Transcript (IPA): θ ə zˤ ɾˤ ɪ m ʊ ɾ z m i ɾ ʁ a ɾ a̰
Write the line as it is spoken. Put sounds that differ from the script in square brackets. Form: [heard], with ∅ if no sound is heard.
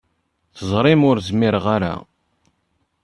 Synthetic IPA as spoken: θ ə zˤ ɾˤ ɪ m ʊ ɾ z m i ɾ ʁ a ɾ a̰